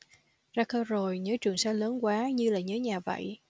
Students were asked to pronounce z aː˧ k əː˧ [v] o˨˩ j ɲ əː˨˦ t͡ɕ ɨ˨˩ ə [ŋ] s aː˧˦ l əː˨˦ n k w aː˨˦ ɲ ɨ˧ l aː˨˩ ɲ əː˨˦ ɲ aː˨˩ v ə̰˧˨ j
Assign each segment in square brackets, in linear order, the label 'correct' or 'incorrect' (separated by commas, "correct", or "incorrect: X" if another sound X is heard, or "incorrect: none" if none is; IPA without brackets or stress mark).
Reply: incorrect: z, correct